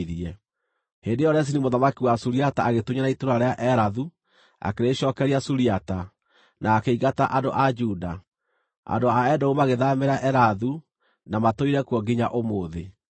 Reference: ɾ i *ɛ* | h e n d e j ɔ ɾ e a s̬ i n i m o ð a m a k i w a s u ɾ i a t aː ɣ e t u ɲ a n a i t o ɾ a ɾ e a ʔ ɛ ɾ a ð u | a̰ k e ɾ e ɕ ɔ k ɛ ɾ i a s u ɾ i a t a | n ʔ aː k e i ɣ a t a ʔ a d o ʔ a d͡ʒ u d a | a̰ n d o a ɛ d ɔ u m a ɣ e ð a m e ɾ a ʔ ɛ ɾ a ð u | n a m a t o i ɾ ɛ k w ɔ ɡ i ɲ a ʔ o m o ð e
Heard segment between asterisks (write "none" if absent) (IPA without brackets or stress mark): ɛ